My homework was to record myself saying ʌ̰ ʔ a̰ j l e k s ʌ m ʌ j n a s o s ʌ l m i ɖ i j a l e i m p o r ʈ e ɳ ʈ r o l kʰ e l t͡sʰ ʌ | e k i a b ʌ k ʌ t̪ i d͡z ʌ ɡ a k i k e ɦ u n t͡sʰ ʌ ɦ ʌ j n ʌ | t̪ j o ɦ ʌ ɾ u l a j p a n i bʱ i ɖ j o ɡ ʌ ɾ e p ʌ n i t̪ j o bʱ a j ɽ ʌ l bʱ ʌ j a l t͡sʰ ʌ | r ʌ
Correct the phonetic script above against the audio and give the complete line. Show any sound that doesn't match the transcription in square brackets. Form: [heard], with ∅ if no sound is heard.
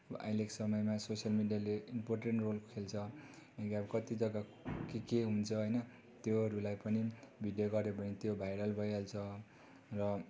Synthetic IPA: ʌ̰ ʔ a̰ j l e k s ʌ m ʌ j [m] a s o s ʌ l m i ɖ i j a l e i m p o r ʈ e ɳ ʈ r o l kʰ e l t͡sʰ ʌ | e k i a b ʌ k ʌ t̪ i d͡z ʌ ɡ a k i k e ɦ u n t͡sʰ ʌ ɦ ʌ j n ʌ | t̪ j o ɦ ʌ ɾ u l a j p [ʌ] n i bʱ i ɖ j o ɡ ʌ ɾ e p ʌ n i t̪ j o bʱ a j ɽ ʌ l bʱ ʌ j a l t͡sʰ ʌ | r ʌ